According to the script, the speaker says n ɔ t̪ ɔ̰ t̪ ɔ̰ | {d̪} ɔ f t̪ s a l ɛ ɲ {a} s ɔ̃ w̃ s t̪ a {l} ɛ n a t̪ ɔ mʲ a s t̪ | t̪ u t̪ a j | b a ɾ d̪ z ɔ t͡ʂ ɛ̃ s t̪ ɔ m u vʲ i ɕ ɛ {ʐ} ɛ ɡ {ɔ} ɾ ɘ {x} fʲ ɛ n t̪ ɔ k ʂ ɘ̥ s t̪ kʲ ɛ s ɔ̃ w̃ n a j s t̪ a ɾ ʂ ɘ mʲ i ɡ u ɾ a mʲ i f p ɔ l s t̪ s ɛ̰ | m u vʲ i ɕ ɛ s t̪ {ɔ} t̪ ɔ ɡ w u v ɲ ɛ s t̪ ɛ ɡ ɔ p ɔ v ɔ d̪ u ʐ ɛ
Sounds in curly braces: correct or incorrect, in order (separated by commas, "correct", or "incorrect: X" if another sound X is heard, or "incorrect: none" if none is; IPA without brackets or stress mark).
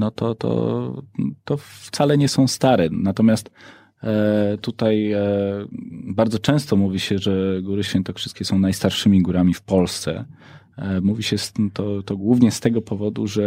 incorrect: t̪, incorrect: ɛ, incorrect: ɾ, correct, incorrect: u, incorrect: ɕ, correct